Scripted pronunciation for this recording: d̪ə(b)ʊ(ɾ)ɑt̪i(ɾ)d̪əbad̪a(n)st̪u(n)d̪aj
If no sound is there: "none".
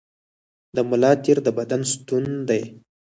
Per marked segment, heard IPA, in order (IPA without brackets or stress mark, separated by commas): m, l, ɾ, n, n